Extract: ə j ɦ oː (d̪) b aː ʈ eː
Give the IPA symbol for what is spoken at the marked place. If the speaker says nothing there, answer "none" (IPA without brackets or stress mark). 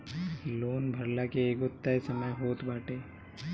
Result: t̪